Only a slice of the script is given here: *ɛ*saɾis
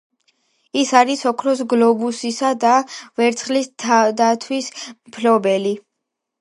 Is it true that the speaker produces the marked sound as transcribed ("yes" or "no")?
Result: no